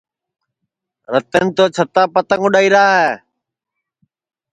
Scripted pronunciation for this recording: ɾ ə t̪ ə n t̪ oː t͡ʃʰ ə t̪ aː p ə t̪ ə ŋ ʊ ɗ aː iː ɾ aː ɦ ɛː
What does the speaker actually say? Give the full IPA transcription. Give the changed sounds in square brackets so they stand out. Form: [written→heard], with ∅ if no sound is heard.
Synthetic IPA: ɾ ə t̪ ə n t̪ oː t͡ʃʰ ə t̪ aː p ə t̪ ə ŋ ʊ ɗ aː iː ɾ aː ɦ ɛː